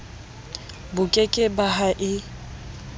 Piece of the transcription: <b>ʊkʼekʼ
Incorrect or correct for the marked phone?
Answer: correct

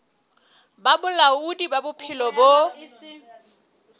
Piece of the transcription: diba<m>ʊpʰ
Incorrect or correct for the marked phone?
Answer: incorrect: b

